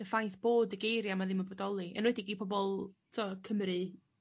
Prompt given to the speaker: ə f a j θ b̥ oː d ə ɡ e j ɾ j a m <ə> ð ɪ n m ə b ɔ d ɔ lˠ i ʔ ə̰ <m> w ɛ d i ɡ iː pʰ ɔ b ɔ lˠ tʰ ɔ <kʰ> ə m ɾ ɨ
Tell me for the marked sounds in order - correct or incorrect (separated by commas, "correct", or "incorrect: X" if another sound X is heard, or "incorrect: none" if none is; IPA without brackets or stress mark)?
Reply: incorrect: a, incorrect: n, correct